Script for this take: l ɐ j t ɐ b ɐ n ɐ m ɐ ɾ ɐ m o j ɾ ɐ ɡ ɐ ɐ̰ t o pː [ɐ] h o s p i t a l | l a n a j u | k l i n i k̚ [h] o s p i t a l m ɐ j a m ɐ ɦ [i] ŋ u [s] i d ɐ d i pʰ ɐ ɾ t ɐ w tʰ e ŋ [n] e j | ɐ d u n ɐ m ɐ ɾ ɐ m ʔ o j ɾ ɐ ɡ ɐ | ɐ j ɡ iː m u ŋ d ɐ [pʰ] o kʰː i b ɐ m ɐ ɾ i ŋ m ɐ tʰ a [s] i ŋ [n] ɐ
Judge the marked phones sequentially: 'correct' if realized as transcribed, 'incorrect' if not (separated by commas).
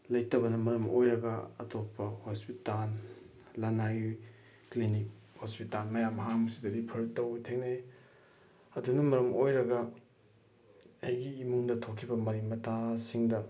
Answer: correct, correct, incorrect, correct, correct, incorrect, correct, incorrect